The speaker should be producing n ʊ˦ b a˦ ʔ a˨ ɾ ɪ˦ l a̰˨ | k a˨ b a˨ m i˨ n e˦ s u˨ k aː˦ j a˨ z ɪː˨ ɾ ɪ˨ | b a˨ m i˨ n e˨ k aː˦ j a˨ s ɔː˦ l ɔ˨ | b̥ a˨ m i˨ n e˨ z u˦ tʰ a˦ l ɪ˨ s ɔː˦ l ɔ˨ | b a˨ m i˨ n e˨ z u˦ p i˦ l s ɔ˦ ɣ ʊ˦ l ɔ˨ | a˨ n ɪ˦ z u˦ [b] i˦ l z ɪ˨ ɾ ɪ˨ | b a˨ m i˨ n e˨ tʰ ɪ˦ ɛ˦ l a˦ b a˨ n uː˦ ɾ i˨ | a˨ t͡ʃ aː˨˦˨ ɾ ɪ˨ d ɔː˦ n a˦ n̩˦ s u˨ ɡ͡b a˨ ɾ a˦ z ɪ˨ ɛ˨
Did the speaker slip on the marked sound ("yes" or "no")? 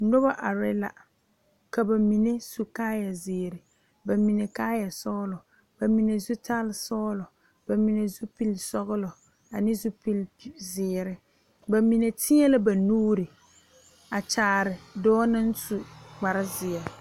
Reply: yes